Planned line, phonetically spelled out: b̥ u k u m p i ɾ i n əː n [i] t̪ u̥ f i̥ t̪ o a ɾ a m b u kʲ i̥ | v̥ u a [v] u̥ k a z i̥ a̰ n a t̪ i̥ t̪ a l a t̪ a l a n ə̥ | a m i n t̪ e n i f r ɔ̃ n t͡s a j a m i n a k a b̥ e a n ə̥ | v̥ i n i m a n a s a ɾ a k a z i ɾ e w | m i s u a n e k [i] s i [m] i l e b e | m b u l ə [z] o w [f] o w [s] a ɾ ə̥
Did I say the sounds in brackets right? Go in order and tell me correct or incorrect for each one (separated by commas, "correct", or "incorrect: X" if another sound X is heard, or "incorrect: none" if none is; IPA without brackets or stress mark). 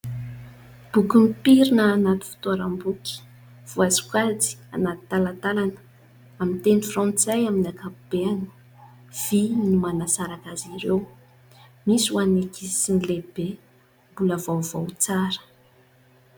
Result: incorrect: a, incorrect: z, correct, incorrect: n, incorrect: v, incorrect: v, incorrect: t͡s